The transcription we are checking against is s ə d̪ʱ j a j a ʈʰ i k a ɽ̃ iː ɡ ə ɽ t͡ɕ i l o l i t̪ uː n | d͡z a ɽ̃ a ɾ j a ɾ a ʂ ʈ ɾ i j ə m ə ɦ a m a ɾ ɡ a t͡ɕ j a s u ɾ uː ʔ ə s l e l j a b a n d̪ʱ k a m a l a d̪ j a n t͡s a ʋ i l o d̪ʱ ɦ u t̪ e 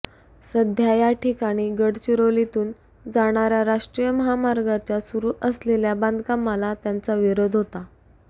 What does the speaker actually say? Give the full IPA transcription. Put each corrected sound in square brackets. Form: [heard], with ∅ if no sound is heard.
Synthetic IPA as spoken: s ə d̪ʱ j a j a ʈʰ i k a ɽ̃ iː ɡ ə ɽ t͡ɕ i [ɾ] o l i t̪ uː n | d͡z a ɽ̃ a ɾ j a ɾ a ʂ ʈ ɾ i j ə m ə ɦ a m a ɾ ɡ a t͡ɕ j a s u ɾ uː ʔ ə s l e l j a b a n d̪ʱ k a m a l a [t̪] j a n t͡s a ʋ i [ɾ] o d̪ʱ ɦ [o] t̪ [a]